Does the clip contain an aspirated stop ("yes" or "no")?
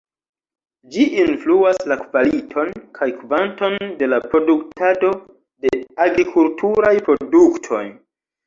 yes